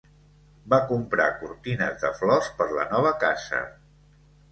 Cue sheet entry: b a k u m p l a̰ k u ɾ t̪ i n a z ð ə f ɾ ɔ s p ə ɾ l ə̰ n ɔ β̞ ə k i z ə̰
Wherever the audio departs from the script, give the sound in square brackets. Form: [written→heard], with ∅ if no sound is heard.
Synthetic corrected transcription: b a k u m p [l→ɾ] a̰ k u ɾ t̪ i n [a→ə] z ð ə f [ɾ→l] ɔ s p ə ɾ l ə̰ n ɔ β̞ ə k [i→a] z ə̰

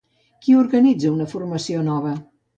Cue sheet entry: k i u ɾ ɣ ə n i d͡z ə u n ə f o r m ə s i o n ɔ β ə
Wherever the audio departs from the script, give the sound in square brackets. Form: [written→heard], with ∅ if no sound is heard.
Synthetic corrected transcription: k i u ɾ ɣ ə n i d͡z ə u n ə f [o→u] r m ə s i o n ɔ β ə

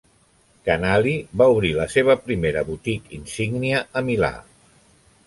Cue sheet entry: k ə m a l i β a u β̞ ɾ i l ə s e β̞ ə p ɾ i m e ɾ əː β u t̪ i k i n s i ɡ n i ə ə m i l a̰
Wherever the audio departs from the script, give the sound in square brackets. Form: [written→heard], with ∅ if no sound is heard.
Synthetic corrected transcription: k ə [m→n] a l i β a u β̞ ɾ i l ə s e β̞ ə p ɾ i m e ɾ [əː→ə] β u t̪ i k i n s i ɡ n i ə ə m i l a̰

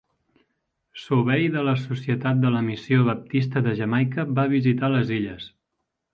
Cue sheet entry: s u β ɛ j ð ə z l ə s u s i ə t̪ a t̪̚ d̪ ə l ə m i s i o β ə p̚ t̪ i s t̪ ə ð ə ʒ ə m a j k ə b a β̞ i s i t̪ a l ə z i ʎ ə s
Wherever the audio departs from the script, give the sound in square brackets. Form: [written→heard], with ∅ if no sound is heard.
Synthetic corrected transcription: s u β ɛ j ð ə [z→∅] l ə s u s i ə t̪ a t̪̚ d̪ ə l ə m i s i o β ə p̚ t̪ i s t̪ ə ð ə ʒ ə m a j k ə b a β̞ i [s→z] i t̪ a l ə z i ʎ ə s

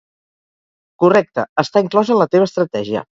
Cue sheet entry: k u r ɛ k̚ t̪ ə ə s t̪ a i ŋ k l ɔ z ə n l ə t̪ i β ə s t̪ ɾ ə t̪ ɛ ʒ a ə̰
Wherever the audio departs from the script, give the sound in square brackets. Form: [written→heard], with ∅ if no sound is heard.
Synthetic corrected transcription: k u r ɛ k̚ t̪ ə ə s t̪ a i ŋ k l ɔ z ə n l ə t̪ [i→e] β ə s t̪ ɾ ə t̪ ɛ ʒ [a→i] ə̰

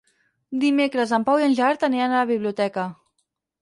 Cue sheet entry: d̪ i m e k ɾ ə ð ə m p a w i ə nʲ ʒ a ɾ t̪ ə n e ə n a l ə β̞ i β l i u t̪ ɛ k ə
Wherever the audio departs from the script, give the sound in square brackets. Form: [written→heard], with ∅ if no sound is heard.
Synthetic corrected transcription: d̪ i m e k ɾ ə [ð→z] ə m p a w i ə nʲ ʒ a ɾ t̪ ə n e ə n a l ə β̞ i β l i u t̪ ɛ k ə

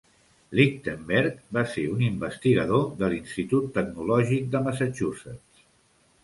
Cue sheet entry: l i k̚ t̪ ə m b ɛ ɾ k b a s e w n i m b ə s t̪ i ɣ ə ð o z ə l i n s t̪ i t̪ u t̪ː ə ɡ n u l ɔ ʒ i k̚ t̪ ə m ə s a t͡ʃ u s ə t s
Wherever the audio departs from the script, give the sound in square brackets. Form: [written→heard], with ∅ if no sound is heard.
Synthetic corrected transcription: l i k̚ t̪ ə m b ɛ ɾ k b a s e [w→u] n i m b ə s t̪ i ɣ ə ð o [z→ð] ə l i n s t̪ i t̪ u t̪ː ə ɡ n u l ɔ ʒ i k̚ [t̪→d̪] ə m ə s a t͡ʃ u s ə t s

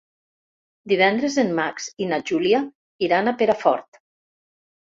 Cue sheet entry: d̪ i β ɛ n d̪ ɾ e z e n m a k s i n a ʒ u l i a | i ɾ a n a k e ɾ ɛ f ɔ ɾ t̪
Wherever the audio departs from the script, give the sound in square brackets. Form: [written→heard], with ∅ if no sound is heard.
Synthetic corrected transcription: d̪ i β ɛ n d̪ ɾ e z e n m a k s i n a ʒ u l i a | i ɾ a n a [k→p] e ɾ [ɛ→a] f ɔ ɾ t̪

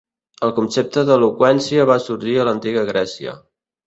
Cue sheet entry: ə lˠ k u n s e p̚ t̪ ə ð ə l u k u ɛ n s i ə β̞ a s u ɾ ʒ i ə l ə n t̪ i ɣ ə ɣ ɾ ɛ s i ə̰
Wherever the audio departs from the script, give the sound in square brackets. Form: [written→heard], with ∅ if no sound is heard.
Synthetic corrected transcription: ə lˠ k u n s e p̚ t̪ ə ð ə l u k [u→w] ɛ n s i ə β̞ a s u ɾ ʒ i ə l ə n t̪ i ɣ ə ɣ ɾ ɛ s i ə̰

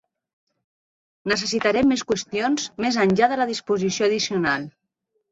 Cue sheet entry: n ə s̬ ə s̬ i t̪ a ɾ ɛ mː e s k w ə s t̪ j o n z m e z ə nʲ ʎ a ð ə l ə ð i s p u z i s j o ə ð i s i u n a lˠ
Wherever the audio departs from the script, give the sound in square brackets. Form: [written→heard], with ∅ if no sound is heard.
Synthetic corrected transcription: n ə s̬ ə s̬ i t̪ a ɾ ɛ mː e s k w ə s t̪ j o n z m e z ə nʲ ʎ a ð ə l ə ð i s p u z i s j o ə ð i s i u n a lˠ

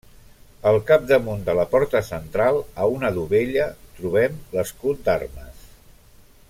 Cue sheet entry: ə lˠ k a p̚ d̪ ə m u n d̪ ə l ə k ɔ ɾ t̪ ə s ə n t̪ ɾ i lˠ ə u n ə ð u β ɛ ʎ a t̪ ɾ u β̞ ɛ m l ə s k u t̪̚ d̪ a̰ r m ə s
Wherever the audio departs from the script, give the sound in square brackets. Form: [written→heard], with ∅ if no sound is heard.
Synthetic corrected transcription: ə lˠ k a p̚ d̪ ə m u n d̪ ə l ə [k→p] ɔ ɾ t̪ ə s ə n t̪ ɾ [i→a] lˠ ə u n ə ð u β [ɛ→e] ʎ [a→ə] t̪ ɾ u β̞ ɛ m l ə s k u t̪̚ d̪ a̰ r m ə s

